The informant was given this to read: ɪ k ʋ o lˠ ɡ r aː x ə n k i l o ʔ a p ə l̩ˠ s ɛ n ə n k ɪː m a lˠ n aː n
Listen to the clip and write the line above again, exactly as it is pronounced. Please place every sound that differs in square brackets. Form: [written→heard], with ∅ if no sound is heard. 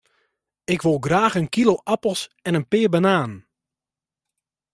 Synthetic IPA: ɪ k ʋ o lˠ ɡ r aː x ə n k i l o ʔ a p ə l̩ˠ s ɛ n ə n [k→p] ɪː [m→b] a [lˠ→∅] n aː n